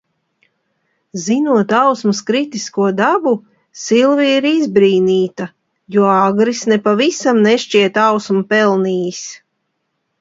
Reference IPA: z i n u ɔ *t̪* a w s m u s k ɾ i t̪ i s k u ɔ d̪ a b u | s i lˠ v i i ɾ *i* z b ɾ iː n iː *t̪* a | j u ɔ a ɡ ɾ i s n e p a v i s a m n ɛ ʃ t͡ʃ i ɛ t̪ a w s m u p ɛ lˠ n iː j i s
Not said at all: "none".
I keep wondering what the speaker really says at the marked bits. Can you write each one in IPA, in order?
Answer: t̪, i, t̪

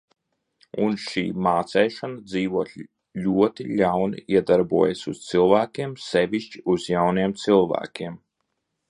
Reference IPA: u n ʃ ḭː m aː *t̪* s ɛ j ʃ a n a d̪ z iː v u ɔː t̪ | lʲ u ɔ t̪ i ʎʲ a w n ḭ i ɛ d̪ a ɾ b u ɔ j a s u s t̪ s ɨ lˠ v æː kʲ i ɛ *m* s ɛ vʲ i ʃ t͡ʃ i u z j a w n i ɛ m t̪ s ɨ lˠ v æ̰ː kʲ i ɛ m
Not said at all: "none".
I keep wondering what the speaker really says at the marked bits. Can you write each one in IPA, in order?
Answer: t̪, m

